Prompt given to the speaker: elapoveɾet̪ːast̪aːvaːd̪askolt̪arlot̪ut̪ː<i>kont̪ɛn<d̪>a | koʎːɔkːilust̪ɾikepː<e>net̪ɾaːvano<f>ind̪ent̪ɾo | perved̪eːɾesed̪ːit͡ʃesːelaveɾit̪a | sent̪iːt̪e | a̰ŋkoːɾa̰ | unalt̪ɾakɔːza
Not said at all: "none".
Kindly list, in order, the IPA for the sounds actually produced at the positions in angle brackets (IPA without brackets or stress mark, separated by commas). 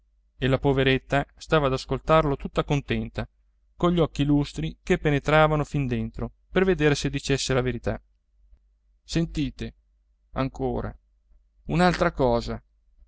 a, t̪, e, f